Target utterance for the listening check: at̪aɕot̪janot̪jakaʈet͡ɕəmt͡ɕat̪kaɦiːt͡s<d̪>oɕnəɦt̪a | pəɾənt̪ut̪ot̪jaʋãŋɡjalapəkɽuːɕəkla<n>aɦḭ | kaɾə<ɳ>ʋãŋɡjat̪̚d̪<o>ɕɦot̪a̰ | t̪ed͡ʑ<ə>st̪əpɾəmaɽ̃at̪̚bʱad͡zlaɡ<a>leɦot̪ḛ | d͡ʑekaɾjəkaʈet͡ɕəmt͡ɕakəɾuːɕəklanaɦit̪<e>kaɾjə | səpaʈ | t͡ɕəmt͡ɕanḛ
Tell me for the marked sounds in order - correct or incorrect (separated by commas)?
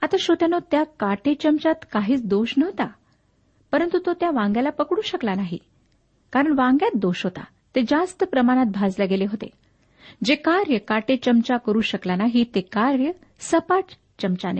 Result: correct, correct, correct, correct, incorrect, incorrect, correct